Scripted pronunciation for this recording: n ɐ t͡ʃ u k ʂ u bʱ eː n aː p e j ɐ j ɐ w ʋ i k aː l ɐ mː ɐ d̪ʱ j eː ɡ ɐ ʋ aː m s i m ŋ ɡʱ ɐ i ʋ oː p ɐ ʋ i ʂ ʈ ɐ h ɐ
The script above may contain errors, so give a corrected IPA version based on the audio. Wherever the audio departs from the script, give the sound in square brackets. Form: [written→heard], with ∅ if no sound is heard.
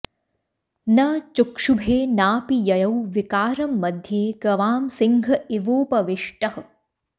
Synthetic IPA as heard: n ɐ t͡ʃ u k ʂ u bʱ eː n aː p [e→i] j ɐ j ɐ w ʋ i k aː [l→ɾ] ɐ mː ɐ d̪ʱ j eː ɡ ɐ ʋ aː m s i [m→∅] ŋ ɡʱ ɐ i ʋ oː p ɐ ʋ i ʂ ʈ ɐ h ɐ

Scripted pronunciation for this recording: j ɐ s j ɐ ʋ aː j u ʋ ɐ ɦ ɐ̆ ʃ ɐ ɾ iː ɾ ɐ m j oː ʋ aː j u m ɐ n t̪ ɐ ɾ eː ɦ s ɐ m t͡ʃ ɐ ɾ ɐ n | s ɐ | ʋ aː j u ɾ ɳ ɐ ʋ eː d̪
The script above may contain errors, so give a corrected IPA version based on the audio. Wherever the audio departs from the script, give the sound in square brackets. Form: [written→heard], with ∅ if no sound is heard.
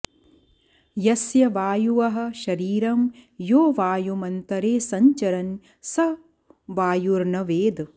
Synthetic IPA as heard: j ɐ s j ɐ ʋ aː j u ʋ ɐ ɦ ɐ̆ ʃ ɐ ɾ iː ɾ ɐ m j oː ʋ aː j u m ɐ n t̪ ɐ ɾ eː [ɦ→∅] s ɐ [m→ɲ] t͡ʃ ɐ ɾ ɐ n | s ɐ | ʋ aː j u ɾ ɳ ɐ ʋ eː d̪

